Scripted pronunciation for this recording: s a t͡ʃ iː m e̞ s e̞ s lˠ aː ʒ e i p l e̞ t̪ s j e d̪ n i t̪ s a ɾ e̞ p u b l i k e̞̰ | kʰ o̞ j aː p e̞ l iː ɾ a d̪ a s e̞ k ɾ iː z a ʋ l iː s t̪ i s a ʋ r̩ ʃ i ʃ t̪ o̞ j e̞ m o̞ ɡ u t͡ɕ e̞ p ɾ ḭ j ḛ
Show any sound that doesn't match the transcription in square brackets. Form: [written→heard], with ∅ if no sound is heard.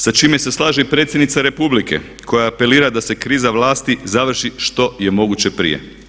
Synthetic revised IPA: s a t͡ʃ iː m e̞ s e̞ s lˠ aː ʒ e i p [l→ɾ] e̞ t̪ s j e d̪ n i t̪ s a ɾ e̞ p u b l i k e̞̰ | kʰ o̞ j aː p e̞ l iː ɾ a d̪ a s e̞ k ɾ iː z a ʋ l [iː→aː] s t̪ i [s→z] a ʋ r̩ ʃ i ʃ t̪ o̞ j e̞ m o̞ ɡ u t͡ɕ e̞ p ɾ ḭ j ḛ